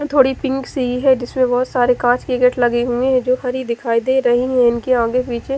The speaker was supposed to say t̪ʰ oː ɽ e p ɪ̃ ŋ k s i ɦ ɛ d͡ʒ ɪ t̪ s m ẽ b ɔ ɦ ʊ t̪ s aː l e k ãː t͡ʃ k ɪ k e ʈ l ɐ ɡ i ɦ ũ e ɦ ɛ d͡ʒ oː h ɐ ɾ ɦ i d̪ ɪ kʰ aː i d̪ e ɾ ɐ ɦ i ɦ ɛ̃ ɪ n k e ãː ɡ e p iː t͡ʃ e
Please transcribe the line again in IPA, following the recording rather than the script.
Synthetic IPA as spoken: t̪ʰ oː ɽ i p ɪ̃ ŋ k s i ɦ ɛ d͡ʒ ɪ s m ẽ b ɔ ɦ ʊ t̪ s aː ɾ e k ãː t͡ʃ k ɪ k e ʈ l ɐ ɡ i ɦ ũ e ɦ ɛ d͡ʒ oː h ɐ ɾ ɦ i d̪ ɪ kʰ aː i d̪ e ɾ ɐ ɦ i ɦ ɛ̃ ɪ n k e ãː ɡ e p iː t͡ʃ e

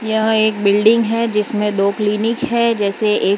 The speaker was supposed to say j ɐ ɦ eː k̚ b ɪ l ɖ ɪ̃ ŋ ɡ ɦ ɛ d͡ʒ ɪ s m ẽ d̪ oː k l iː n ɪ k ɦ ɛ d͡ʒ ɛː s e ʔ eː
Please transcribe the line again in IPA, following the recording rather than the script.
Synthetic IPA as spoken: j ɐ ɦ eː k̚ b ɪ l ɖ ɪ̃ ŋ ɡ ɦ ɛ d͡ʒ ɪ s m ẽ d̪ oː k l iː n ɪ k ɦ ɛ d͡ʒ ɛː s e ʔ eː

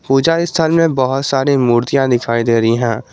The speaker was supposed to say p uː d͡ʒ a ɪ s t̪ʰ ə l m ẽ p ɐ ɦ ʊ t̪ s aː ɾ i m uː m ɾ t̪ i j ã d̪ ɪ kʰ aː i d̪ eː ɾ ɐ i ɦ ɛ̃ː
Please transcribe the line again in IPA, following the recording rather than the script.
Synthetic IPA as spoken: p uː d͡ʒ a ɪ s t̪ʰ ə l m ẽ b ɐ ɦ ʊ t̪ s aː ɾ i m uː ɾ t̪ i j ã d̪ ɪ kʰ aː i d̪ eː ɾ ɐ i ɦ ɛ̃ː

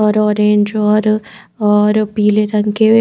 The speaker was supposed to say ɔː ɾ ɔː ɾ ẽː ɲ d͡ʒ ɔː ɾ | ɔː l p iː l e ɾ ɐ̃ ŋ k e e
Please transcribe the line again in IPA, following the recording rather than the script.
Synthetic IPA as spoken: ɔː ɾ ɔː ɾ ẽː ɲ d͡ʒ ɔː ɾ | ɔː ɾ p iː l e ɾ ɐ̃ ŋ k e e

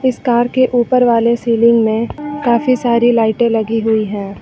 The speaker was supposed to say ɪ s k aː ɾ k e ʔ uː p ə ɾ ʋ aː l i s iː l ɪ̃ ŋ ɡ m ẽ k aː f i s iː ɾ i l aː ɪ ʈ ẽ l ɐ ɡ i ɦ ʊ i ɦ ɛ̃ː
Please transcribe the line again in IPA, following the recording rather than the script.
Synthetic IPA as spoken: ɪ s k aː ɾ k e ʔ uː p ə ɾ ʋ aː l e s iː l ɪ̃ ŋ ɡ m ẽ k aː f i s aː ɾ i l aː ɪ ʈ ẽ l ɐ ɡ i ɦ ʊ i ɦ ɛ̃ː

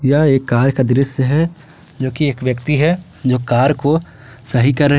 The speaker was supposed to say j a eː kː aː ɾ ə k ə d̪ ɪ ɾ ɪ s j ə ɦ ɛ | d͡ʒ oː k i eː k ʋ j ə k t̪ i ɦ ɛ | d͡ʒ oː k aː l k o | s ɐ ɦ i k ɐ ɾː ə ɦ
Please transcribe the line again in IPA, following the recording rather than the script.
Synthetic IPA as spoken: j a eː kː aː ɾ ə k a d̪ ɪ ɾ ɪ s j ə ɦ ɛ | d͡ʒ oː k i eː k ʋ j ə k t̪ i ɦ ɛ | d͡ʒ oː k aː ɾ k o | s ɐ ɦ i k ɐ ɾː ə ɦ

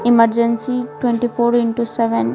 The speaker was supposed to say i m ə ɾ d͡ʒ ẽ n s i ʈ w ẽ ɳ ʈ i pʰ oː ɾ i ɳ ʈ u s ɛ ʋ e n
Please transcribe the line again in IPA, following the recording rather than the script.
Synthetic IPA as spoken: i m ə ɾ d͡ʒ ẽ n s i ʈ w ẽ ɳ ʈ i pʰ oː ɾ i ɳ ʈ u s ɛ ʋ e n

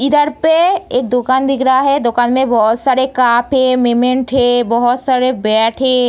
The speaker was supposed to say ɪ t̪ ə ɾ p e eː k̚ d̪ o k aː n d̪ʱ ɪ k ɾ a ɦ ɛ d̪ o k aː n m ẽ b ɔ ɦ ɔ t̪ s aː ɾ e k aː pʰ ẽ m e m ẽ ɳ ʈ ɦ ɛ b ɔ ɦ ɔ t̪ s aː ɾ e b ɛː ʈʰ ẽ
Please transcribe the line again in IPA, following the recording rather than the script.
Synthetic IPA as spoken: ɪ d̪ ə ɾ p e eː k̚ d̪ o k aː n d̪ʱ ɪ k ɾ a ɦ ɛ d̪ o k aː n m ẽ b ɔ ɦ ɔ t̪ s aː ɾ e k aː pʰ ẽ m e m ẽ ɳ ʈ ɦ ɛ b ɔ ɦ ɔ t̪ s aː ɾ e b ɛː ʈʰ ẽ

